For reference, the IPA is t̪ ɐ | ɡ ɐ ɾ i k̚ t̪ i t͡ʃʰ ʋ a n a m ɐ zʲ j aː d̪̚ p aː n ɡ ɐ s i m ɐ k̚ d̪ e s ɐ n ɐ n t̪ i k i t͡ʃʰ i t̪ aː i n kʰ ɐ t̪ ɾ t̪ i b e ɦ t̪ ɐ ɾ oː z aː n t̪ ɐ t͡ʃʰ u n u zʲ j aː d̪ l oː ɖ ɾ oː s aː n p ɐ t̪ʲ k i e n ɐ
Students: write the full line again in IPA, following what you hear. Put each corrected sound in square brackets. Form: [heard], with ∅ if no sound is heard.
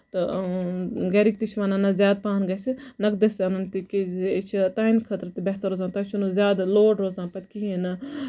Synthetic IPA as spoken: t̪ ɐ | ɡ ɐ ɾ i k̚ t̪ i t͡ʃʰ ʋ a n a [n] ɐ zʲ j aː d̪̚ p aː n ɡ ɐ s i [n] ɐ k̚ d̪ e s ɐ n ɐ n t̪ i k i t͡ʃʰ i t̪ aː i n kʰ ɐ t̪ ɾ t̪ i b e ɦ t̪ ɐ ɾ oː z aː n t̪ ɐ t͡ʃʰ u n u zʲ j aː d̪ l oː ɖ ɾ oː [z] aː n p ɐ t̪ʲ k i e n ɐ